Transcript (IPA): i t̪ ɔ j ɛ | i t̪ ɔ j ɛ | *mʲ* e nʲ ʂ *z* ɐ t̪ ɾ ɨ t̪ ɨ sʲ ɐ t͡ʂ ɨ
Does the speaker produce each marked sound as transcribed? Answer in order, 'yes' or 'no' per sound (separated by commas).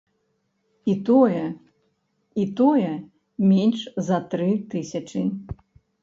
yes, yes